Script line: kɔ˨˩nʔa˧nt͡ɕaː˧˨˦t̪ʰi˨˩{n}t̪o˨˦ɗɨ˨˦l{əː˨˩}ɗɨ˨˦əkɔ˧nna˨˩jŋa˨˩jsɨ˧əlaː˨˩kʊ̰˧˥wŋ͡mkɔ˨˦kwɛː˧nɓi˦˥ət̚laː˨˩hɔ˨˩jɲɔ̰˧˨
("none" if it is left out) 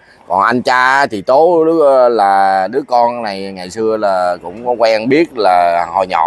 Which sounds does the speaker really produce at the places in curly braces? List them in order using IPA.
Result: none, aː˨˩

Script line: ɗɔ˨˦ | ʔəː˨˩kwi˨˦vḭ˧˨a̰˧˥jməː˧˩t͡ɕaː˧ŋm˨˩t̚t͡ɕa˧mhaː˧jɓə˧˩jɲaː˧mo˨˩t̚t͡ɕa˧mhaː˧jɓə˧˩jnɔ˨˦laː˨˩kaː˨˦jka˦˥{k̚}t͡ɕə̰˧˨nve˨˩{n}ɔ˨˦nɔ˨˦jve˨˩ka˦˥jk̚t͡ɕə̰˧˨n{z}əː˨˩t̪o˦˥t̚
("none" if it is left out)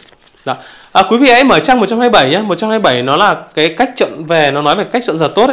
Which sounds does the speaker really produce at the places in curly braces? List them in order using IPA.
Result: k̚, n, z

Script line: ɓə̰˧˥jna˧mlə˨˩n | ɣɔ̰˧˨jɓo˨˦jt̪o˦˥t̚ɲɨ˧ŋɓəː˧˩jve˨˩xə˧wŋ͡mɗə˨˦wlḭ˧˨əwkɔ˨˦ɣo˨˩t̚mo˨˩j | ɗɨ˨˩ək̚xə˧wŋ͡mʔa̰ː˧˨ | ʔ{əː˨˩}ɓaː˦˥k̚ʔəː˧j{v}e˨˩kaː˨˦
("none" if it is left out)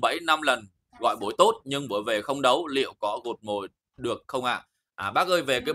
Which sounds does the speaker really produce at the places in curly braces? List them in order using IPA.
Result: aː˨˩, v

